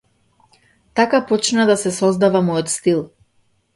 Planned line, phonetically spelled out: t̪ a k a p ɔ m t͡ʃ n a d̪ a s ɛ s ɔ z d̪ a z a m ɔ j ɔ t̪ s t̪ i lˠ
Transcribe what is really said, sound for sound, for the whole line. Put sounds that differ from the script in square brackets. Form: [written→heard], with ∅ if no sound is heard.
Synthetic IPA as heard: t̪ a k a p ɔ [m→∅] t͡ʃ n a d̪ a s ɛ s ɔ z d̪ a [z→v] a m ɔ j ɔ t̪ s t̪ i lˠ